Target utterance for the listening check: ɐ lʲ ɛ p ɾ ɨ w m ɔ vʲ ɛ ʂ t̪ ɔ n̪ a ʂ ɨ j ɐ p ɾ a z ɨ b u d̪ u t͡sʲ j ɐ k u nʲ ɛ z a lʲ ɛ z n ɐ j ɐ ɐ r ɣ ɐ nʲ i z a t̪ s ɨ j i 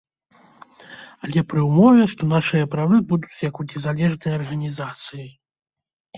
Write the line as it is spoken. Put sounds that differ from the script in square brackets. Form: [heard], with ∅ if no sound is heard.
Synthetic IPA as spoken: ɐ lʲ ɛ p ɾ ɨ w m ɔ vʲ ɛ ʂ t̪ ɔ n̪ a ʂ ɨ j ɐ p ɾ a [v] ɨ b u d̪ u t͡sʲ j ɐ k u nʲ ɛ z a lʲ ɛ [ʐ] n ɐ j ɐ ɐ r ɣ ɐ nʲ i z a t̪ s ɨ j i